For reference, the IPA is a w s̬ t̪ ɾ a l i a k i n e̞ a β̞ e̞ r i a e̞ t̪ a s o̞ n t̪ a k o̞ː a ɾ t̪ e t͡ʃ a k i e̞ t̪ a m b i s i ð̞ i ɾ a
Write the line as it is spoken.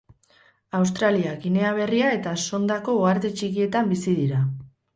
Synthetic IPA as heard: a w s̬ t̪ ɾ a l i a k i n e̞ a β̞ e̞ r i a e̞ t̪ a s o̞ n d̪ a k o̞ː a ɾ t̪ e t͡ʃ i k i e̞ t̪ a m b i s i ð̞ i ɾ a